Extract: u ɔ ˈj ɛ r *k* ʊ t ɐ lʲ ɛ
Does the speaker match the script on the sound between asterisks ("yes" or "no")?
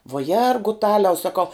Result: no